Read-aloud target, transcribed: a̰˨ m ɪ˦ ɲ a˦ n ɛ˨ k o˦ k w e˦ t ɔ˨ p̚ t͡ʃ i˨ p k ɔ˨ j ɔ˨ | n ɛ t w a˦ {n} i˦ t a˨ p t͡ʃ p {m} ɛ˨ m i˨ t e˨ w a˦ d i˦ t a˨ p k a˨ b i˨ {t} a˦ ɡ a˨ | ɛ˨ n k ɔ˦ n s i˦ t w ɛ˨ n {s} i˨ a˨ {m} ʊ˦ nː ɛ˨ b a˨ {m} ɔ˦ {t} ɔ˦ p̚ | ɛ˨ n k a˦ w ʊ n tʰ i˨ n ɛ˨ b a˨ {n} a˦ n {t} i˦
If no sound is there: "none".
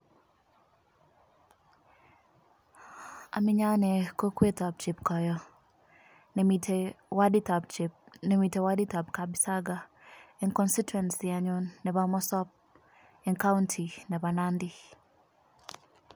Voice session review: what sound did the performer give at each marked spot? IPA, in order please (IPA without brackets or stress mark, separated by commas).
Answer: d, n, s, s, ɲ, m, s, n, d